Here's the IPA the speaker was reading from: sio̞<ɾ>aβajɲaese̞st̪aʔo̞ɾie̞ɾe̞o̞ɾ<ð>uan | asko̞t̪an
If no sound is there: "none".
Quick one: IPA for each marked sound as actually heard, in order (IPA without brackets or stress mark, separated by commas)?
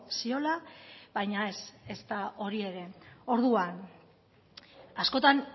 l, ð